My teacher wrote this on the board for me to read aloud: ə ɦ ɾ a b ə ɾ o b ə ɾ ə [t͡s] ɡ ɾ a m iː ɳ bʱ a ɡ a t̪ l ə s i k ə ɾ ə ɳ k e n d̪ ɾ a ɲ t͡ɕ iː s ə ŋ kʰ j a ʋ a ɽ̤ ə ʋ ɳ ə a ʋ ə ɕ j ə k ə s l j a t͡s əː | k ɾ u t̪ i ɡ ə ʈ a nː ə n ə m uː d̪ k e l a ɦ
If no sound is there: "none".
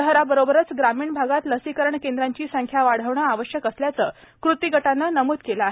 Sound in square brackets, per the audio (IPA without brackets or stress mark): t͡s